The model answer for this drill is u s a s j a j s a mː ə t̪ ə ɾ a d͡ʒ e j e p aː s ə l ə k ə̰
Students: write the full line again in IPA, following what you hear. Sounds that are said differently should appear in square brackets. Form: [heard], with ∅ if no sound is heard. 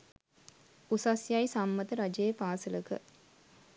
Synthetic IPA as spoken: u s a s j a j s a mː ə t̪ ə ɾ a d͡ʒ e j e p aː s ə l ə k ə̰